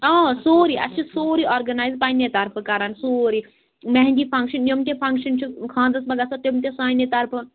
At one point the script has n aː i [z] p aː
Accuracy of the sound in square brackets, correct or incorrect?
correct